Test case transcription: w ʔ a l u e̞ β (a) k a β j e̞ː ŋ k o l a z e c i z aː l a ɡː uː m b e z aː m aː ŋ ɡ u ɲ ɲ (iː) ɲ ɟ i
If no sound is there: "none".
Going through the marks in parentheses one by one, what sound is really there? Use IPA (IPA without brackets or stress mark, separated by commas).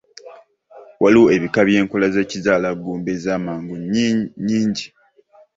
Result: i, iː